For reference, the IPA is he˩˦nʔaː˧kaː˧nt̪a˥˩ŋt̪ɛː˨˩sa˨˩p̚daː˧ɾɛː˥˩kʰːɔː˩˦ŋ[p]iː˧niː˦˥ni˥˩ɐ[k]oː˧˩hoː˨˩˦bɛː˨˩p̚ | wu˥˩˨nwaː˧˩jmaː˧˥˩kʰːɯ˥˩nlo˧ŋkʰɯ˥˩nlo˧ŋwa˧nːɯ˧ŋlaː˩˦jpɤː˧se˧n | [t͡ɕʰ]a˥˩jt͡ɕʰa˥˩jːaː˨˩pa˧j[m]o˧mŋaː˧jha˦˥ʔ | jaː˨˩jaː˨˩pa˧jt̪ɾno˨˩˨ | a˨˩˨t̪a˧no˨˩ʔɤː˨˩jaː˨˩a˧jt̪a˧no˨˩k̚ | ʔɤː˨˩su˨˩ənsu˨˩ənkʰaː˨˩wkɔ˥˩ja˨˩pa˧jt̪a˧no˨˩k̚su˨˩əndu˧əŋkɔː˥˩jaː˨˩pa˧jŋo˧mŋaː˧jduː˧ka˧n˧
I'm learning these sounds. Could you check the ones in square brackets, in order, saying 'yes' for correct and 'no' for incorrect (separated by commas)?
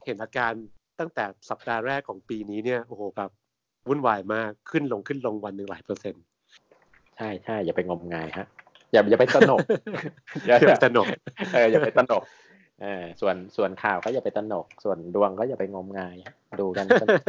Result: yes, no, yes, no